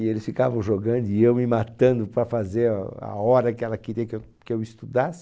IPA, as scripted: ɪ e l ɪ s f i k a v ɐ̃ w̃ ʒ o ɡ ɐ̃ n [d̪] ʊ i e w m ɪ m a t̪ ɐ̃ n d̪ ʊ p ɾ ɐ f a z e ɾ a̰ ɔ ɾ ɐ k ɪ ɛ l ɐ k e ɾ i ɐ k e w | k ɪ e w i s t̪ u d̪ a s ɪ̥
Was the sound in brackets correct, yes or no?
yes